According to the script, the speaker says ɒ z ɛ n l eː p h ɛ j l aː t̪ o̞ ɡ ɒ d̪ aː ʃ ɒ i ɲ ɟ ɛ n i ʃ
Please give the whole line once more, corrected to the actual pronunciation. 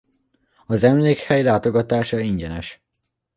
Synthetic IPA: ɒ z ɛ m l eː k h ɛ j l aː t̪ o̞ ɡ ɒ t̪ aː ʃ ɒ i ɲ ɟ ɛ n ɛ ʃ